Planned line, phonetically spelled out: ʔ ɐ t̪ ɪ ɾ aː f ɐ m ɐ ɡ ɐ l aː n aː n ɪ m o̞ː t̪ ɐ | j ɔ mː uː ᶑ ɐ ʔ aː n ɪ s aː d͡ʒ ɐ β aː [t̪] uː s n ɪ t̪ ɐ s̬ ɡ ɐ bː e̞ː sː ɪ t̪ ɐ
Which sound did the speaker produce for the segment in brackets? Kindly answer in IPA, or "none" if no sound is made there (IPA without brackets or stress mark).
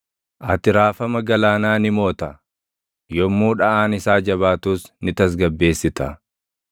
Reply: t̪